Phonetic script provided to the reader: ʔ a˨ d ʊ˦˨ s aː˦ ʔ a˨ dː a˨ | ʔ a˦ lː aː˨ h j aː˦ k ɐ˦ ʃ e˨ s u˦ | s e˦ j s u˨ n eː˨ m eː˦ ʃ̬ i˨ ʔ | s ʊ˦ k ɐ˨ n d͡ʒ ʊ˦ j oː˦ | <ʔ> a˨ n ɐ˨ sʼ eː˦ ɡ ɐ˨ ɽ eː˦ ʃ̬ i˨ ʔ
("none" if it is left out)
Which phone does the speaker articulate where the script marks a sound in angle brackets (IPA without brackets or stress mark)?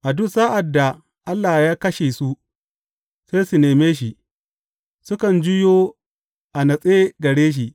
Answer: ʔ